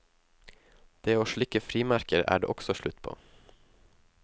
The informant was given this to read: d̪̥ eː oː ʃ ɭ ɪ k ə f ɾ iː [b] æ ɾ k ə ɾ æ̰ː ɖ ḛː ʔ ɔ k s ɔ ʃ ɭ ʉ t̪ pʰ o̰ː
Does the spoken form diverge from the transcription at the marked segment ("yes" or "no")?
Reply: yes